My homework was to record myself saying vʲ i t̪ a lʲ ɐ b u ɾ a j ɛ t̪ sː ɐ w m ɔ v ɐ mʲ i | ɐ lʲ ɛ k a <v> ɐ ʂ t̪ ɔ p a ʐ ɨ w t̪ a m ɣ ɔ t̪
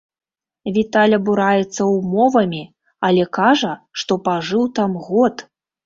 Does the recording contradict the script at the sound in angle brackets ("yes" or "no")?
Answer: yes